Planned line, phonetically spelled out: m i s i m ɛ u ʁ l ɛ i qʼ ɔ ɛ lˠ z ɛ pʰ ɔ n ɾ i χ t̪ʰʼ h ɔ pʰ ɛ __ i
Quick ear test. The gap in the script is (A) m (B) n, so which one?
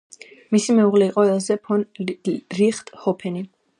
B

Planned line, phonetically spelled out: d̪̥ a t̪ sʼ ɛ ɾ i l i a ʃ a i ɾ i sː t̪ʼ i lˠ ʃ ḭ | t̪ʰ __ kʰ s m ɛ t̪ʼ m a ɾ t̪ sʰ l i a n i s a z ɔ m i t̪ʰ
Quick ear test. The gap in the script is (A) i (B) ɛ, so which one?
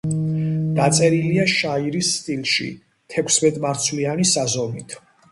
B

